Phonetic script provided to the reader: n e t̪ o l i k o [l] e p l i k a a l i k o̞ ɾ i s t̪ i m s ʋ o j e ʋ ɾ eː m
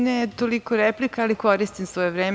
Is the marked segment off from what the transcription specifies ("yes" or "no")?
yes